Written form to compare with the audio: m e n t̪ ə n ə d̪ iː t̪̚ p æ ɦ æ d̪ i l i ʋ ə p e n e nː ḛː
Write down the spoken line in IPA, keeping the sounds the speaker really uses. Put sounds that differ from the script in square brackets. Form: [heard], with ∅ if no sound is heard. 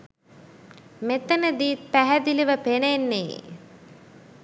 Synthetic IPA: m e [∅] t̪ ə n ə d̪ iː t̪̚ p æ ɦ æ d̪ i l i ʋ ə p e n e nː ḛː